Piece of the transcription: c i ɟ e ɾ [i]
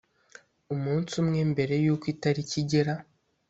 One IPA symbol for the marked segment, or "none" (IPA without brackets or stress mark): a